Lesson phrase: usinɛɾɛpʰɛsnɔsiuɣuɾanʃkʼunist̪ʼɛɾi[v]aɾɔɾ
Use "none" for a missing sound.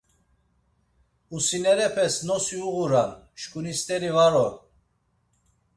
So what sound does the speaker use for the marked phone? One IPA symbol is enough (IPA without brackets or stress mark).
v